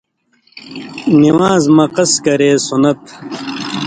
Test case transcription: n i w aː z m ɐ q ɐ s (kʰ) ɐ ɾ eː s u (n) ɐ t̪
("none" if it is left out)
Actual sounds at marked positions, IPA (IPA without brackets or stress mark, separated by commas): k, n